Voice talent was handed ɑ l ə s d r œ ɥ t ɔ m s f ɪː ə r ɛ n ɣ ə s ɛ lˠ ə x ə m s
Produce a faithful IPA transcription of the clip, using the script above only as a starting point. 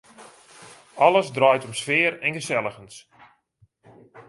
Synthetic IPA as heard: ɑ l ə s d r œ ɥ t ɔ m s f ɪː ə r ɛ n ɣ ə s ɛ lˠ ə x ə n s